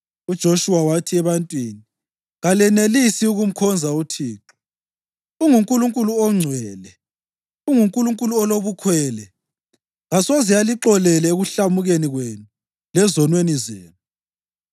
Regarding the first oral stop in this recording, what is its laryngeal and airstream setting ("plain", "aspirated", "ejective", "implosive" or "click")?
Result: plain